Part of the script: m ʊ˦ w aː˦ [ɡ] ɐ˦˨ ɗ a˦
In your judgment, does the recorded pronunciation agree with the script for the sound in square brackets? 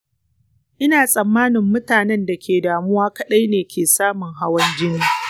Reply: no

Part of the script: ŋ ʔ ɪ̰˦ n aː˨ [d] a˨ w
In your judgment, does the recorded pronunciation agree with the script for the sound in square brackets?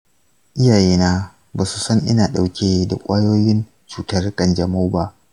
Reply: no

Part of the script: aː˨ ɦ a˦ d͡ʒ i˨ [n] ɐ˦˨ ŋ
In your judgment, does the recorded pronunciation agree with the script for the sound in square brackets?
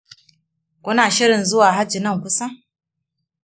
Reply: yes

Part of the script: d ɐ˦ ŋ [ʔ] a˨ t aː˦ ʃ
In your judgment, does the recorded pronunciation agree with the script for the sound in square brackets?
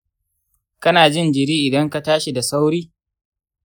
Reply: no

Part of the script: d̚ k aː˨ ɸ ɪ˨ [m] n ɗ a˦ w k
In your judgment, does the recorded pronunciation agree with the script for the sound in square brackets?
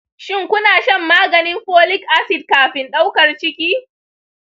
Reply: no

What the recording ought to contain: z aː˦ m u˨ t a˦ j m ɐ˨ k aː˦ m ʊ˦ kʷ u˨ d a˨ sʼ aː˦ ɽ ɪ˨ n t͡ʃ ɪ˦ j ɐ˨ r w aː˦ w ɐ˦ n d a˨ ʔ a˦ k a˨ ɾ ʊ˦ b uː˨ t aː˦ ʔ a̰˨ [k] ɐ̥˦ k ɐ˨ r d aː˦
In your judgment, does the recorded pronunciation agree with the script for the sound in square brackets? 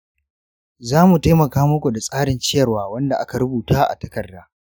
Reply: no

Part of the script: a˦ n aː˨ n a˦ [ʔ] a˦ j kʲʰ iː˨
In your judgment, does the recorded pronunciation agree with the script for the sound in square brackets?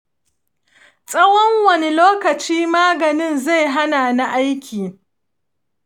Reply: yes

